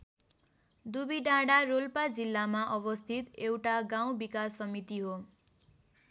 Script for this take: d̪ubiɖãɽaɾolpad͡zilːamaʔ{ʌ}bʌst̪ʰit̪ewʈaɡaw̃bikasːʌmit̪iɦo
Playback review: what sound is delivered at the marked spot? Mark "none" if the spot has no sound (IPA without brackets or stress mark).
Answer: ʌ